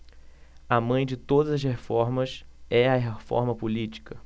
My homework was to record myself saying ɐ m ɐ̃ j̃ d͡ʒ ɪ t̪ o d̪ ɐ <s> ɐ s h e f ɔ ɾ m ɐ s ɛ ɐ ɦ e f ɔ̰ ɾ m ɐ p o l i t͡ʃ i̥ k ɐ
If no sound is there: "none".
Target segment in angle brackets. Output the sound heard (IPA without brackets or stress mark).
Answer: z